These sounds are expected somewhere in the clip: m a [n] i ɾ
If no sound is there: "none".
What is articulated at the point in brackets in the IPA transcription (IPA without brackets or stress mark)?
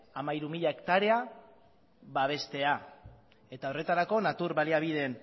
none